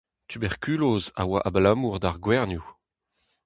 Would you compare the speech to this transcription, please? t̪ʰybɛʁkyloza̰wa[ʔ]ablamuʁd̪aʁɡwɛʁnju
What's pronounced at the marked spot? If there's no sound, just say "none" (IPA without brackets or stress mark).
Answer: ʔ